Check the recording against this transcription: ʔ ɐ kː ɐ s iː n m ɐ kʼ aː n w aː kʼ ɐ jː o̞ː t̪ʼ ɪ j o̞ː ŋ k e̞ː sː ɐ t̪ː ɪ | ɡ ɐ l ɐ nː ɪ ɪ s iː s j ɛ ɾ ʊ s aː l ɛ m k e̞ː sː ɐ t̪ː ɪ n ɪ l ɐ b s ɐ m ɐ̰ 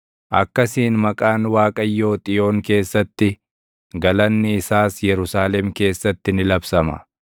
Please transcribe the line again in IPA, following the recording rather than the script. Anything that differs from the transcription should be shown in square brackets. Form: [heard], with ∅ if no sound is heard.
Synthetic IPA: ʔ ɐ kː ɐ s iː n m ɐ kʼ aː n w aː kʼ ɐ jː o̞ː t̪ʼ ɪ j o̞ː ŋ k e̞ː sː ɐ t̪ː ɪ | ɡ ɐ l ɐ nː ɪ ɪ s [aː] s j ɛ ɾ ʊ s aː l ɛ m k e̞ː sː ɐ t̪ː ɪ n ɪ l ɐ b s ɐ m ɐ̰